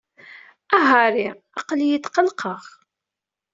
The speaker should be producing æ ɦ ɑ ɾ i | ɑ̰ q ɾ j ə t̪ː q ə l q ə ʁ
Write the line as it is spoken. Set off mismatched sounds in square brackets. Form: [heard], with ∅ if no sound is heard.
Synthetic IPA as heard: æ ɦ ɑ ɾ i | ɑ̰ q [l] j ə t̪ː q ə l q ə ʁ